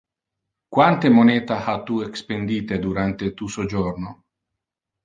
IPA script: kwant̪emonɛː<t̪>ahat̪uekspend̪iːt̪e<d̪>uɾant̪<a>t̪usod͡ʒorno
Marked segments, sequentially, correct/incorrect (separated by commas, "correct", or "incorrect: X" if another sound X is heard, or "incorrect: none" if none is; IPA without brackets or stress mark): correct, correct, incorrect: e